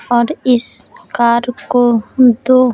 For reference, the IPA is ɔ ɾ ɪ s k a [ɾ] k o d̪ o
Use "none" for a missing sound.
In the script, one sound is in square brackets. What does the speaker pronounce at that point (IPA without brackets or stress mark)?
ɾ